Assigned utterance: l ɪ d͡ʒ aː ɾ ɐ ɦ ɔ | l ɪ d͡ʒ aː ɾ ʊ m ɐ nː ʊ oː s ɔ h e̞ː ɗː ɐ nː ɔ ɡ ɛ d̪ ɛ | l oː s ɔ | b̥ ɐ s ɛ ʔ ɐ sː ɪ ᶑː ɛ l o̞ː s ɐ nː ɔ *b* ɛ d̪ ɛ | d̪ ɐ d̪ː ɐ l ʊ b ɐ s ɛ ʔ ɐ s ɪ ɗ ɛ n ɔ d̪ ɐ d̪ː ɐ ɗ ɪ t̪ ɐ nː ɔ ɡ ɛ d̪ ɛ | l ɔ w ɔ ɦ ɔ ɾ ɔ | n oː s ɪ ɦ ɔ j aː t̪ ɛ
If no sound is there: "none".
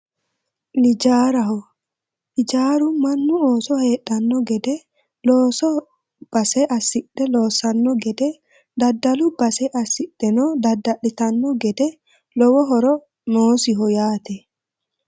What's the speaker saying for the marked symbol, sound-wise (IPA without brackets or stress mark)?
ɡ